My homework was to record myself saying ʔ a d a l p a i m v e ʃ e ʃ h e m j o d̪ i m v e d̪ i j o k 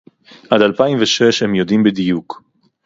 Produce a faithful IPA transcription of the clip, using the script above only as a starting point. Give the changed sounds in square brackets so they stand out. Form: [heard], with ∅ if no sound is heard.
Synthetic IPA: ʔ a d a l p a i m v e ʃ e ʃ h e m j o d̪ i m [b] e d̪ i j [u] k